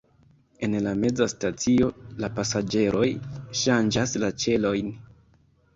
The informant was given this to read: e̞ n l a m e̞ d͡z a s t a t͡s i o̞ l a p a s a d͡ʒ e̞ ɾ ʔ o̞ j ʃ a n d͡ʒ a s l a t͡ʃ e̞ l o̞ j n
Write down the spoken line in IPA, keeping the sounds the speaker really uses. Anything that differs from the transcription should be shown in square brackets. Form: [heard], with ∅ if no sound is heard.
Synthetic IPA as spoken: e̞ n l a m e̞ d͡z a s t a t͡s i o̞ l a p a s a d͡ʒ e̞ ɾ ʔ o̞ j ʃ a n d͡ʒ a s l a t͡ʃ e̞ l o̞ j n